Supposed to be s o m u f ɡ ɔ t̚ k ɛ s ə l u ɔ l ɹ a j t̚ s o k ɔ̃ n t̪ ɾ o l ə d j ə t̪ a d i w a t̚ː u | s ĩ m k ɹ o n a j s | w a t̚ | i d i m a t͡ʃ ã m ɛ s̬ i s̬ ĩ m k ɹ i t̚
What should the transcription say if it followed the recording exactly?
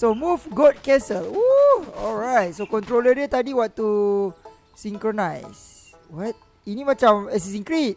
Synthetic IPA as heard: s o m u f ɡ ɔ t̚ k ɛ s ə l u ɔ l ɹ a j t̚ s o k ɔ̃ n t̪ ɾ o l ə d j ə t̪ a d i w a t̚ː u | s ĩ ŋ k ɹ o n a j s | w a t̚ | i n i m a t͡ʃ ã m ɛ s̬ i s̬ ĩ ŋ k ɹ i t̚

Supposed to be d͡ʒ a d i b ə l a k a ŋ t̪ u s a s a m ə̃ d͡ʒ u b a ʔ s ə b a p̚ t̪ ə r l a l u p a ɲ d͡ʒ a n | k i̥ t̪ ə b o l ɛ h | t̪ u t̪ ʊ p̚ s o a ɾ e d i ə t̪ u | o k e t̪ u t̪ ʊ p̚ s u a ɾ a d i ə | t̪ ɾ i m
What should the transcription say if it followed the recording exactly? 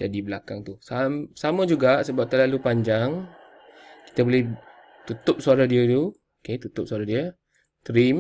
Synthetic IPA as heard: d͡ʒ a d i b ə l a k a ŋ t̪ u s a s a m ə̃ d͡ʒ u ɡ a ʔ s ə b a p̚ t̪ ə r l a l u p a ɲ d͡ʒ a ŋ | k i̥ t̪ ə b o l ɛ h | t̪ u t̪ ʊ p̚ s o a ɾ a d i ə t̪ u | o k e t̪ u t̪ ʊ p̚ s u a ɾ a d i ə | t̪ ɾ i m

